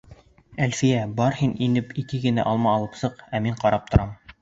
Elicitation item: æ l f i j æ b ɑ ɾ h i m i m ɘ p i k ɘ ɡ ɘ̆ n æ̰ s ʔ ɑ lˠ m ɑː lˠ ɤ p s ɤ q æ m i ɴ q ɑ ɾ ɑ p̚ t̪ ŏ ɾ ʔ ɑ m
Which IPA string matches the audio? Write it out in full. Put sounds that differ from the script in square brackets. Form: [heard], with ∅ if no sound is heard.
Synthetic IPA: æ l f i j æ b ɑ ɾ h i [n] i [n] ɘ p i k ɘ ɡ ɘ̆ n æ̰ [∅] ʔ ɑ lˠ m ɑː lˠ ɤ p s ɤ q æ m i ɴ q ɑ ɾ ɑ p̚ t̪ ŏ ɾ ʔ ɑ m

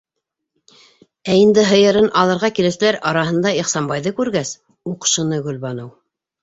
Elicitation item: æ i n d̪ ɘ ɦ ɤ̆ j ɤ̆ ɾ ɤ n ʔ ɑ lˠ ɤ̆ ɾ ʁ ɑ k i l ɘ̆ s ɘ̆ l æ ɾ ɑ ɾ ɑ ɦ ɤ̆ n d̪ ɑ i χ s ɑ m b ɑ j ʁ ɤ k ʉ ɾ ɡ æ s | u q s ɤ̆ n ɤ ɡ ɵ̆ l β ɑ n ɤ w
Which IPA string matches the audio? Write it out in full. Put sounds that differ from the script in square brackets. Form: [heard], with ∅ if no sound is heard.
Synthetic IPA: æ i n d̪ ɘ ɦ ɤ̆ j ɤ̆ ɾ ɤ n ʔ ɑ lˠ ɤ̆ ɾ ʁ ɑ k i l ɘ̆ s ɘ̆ l æ ɾ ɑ ɾ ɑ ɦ ɤ̆ n d̪ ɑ i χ s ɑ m b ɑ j [ð] ɤ k ʉ ɾ ɡ æ s | u q [ʃ] ɤ̆ n ɤ ɡ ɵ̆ l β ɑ n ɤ w

